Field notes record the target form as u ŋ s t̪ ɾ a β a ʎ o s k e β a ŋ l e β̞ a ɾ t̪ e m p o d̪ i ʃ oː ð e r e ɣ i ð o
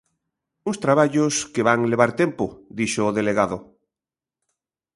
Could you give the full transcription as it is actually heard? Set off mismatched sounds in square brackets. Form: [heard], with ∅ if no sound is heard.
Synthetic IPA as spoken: u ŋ s t̪ ɾ a β a ʎ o s k e β a ŋ l e β̞ a ɾ t̪ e m p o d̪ i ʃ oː ð e [l] e ɣ [a] ð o

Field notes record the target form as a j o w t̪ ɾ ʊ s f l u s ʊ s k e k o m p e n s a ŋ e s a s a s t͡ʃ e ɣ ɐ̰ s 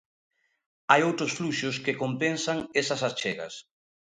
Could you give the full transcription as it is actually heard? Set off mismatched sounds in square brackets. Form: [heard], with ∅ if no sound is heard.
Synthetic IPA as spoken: a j o w t̪ ɾ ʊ s f l u [ʃ] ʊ s k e k o m p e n s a ŋ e s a s a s t͡ʃ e ɣ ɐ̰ s

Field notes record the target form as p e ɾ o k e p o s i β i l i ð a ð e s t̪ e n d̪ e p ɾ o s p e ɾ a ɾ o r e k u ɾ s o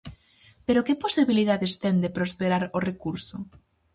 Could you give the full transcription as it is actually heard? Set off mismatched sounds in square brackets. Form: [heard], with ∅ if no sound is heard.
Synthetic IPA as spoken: p e ɾ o k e p o s i β i l i ð a ð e s t̪ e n d̪ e p ɾ o s p e ɾ a ɾ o r e k u ɾ s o

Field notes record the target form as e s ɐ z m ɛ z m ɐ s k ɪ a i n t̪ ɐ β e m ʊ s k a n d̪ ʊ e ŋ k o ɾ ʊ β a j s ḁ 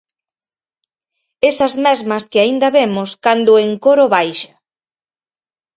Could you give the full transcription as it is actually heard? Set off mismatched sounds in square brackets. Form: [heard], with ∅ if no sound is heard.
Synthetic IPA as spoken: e s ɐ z m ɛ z m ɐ s k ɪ a i n [d̪] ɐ β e m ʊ s k a n d̪ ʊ e ŋ k o ɾ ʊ β a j [ʃ] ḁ

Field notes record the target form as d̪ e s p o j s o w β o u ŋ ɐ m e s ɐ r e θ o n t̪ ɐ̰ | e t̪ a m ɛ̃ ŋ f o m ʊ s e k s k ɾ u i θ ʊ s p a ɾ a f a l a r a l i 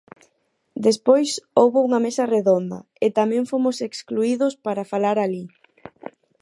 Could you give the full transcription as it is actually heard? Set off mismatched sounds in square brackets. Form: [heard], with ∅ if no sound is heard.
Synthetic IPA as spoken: d̪ e s p o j s o w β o u ŋ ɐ m e s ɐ r e [ð] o n [d̪] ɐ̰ | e t̪ a m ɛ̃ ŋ f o m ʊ s e k s k [l] u i [ð] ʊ s p a ɾ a f a l a [ɾ] a l i

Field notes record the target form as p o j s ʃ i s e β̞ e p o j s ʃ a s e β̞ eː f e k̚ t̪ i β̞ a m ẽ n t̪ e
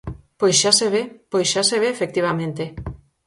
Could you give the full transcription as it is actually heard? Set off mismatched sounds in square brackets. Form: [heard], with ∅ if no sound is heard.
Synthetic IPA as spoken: p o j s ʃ [a] s e β̞ e p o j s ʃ a s e β̞ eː f e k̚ t̪ i β̞ a m ẽ n t̪ e

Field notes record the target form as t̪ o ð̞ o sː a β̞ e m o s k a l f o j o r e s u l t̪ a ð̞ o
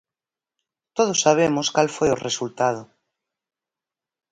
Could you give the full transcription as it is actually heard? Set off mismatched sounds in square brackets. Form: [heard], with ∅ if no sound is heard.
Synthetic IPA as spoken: t̪ o ð̞ o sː a β̞ e m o s k a l f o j o r e s u l t̪ a ð̞ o

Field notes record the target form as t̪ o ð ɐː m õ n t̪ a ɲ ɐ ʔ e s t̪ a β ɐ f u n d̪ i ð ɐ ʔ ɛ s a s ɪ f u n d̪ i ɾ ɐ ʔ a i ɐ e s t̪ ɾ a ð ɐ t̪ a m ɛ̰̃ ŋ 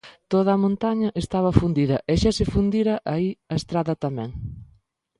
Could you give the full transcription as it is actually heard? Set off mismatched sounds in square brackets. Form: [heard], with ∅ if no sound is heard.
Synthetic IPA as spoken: t̪ o ð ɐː m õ n t̪ a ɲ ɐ ʔ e s t̪ a β ɐ f u n d̪ i ð ɐ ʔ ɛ [ʃ] a s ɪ f u n d̪ i ɾ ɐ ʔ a i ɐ e s t̪ ɾ a ð ɐ t̪ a m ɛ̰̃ ŋ

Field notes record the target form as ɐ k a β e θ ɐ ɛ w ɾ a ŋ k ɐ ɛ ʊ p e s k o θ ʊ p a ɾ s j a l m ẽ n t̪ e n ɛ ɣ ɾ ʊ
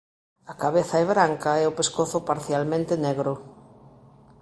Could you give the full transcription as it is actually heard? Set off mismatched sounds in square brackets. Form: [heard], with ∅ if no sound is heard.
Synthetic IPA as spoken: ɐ k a β e θ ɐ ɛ [β] ɾ a ŋ k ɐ ɛ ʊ p e s k o θ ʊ p a ɾ [θ] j a l m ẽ n t̪ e n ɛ ɣ ɾ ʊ

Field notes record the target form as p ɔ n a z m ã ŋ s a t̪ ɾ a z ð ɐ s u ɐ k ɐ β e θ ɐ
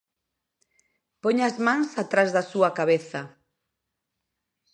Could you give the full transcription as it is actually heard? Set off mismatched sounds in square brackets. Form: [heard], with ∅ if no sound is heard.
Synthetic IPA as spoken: p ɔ [ɲ] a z m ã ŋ s a t̪ ɾ a z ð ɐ s u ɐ k [a] β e θ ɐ

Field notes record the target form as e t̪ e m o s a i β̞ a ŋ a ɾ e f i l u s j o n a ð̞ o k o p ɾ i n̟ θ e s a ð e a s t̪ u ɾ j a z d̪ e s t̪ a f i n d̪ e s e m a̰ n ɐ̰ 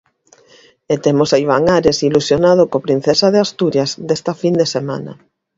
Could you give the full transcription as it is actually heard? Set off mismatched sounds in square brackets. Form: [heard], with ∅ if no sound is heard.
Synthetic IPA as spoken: e t̪ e m o s a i β̞ a ŋ a ɾ e [s] i l u s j o n a ð̞ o k o p ɾ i n̟ θ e s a ð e a s t̪ u ɾ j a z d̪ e s t̪ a f i n d̪ e s e m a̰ n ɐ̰

